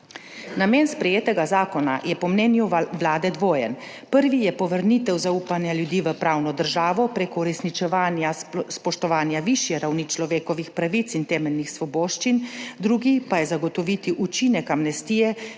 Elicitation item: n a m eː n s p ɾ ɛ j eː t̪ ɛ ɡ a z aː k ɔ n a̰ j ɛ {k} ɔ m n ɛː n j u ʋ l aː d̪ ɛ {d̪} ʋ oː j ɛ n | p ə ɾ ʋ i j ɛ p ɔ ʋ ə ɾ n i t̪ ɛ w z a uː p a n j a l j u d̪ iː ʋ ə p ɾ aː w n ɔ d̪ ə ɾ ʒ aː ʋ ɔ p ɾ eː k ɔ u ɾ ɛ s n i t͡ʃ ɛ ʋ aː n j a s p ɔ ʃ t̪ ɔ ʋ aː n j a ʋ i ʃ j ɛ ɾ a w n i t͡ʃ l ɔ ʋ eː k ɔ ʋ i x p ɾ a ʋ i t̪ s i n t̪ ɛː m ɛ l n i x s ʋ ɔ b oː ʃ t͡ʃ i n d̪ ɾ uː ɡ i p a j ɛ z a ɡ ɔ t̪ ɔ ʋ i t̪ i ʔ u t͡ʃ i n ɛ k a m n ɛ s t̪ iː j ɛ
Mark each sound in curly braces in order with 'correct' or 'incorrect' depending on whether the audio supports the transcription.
incorrect: p, correct

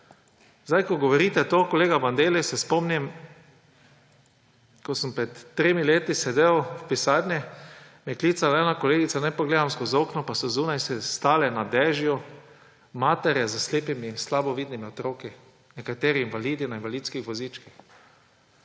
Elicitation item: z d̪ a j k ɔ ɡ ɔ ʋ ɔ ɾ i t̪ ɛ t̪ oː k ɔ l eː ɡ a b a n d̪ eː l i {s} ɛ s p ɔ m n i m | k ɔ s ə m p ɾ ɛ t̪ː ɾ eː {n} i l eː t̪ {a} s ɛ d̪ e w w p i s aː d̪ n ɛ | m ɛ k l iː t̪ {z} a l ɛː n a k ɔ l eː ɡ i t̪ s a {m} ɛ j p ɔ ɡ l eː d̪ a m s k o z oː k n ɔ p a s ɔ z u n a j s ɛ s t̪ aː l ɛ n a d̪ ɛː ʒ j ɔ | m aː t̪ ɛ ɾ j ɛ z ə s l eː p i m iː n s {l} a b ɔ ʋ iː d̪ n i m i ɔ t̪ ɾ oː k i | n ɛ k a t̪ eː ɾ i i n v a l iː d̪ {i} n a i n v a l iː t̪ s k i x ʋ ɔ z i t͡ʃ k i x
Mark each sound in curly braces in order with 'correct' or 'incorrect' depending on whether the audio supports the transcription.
correct, incorrect: m, incorrect: i, incorrect: s, incorrect: n, correct, correct

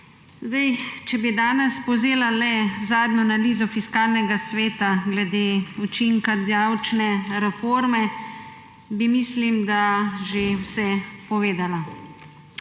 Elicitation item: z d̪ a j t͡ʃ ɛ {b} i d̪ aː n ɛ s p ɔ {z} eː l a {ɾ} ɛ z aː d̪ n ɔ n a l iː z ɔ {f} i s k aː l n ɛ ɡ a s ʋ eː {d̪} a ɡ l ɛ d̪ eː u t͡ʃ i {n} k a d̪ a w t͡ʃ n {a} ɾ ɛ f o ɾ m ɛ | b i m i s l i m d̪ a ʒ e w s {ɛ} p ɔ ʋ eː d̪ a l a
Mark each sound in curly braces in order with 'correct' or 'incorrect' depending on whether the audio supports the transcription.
correct, correct, incorrect: l, correct, incorrect: t̪, incorrect: ŋ, incorrect: ɛ, correct

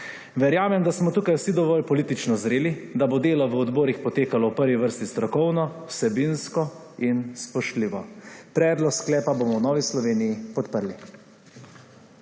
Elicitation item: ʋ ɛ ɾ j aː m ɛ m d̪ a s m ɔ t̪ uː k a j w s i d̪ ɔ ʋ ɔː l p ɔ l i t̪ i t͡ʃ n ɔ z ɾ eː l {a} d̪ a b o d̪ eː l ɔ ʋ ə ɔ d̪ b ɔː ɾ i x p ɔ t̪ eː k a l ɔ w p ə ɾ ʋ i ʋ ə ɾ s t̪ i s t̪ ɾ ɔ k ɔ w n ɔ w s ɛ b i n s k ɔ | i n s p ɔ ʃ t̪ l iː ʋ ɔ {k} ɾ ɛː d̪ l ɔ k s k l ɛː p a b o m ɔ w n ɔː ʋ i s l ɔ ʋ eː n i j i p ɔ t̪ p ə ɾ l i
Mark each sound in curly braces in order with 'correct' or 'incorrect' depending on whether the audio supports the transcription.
incorrect: i, incorrect: p

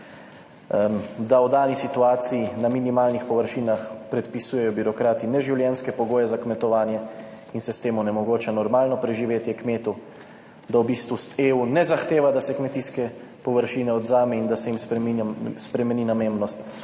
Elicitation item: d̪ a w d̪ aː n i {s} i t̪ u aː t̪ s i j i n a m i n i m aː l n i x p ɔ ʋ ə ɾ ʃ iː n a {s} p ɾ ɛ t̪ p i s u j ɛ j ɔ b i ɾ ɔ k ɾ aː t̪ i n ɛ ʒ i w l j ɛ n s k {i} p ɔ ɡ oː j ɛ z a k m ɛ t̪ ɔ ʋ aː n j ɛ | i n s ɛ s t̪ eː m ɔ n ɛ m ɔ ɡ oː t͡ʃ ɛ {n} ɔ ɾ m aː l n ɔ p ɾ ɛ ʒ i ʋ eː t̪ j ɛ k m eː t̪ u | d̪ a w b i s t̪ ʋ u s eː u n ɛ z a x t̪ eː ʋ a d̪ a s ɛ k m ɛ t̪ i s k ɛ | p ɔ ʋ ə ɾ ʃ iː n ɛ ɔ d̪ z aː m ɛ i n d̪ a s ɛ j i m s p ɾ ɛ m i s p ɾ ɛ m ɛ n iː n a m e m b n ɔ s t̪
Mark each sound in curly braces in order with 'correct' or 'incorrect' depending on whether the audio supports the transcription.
correct, incorrect: x, incorrect: ɛ, correct

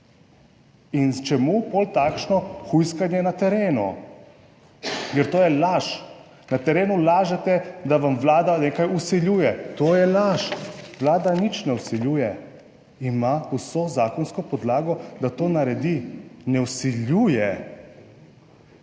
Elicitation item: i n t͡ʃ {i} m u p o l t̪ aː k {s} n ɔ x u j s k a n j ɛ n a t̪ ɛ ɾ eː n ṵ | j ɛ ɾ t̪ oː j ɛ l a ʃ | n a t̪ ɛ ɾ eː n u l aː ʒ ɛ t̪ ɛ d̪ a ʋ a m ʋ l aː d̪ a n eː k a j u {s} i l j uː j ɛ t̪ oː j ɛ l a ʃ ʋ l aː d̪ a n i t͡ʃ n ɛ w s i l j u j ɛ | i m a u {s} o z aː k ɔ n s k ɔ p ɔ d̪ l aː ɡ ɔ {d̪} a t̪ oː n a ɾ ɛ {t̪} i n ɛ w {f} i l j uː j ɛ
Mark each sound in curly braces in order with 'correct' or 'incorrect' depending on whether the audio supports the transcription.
incorrect: ɛ, incorrect: ʃ, correct, correct, correct, incorrect: d̪, incorrect: s

